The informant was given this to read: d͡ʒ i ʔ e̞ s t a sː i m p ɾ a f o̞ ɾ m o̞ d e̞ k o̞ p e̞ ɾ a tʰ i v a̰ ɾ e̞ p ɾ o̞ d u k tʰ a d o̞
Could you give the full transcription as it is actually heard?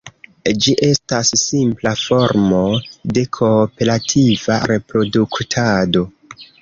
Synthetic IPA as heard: d͡ʒ i ʔ e̞ s t a sː i m p l a f o̞ ɾ m o̞ d e̞ kʰ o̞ p e̞ ɾ a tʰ i v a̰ ɾ e̞ p ɾ o̞ d u k tʰ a d o̞